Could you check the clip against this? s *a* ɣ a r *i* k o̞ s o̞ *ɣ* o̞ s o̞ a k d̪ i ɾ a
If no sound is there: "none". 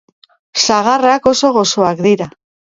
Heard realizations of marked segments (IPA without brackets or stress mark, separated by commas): a, a, ɣ